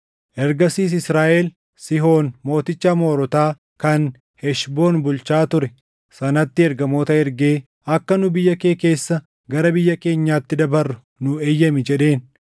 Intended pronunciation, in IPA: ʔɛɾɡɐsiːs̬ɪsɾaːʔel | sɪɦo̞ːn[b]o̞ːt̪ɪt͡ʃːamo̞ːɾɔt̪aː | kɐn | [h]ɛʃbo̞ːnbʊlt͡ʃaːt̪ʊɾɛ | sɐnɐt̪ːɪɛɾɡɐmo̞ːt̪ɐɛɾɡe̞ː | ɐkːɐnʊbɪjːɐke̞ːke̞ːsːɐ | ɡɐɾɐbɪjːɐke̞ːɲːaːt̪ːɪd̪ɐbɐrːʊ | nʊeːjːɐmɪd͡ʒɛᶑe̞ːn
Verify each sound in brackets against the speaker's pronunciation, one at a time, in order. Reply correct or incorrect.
incorrect, correct

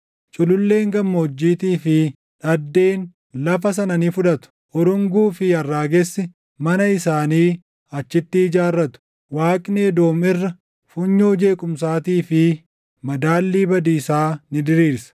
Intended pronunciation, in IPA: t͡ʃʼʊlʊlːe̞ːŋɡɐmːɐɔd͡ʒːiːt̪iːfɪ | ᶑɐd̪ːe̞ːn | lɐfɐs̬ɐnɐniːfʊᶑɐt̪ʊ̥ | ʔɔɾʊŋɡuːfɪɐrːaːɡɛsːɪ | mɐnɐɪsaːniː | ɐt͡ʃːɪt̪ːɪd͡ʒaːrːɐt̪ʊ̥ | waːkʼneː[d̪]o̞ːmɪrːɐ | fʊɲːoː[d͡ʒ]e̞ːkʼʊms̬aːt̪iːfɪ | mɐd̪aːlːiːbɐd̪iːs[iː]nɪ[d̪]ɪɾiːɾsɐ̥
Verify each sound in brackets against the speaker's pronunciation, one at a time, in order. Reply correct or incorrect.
correct, correct, incorrect, correct

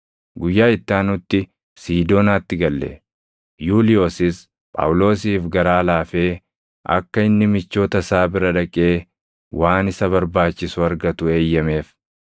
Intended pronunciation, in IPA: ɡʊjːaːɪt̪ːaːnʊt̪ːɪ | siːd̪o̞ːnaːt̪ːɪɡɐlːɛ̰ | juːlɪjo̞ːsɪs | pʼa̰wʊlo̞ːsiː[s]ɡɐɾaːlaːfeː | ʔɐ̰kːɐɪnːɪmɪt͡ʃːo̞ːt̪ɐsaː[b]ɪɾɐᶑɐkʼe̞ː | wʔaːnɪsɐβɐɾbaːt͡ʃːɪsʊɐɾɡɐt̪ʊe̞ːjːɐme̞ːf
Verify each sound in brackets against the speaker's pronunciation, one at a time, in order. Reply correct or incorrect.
incorrect, correct

